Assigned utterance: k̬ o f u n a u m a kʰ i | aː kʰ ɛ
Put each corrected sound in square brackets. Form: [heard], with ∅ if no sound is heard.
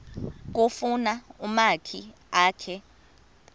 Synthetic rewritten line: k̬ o f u n a u m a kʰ i | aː kʰ ɛ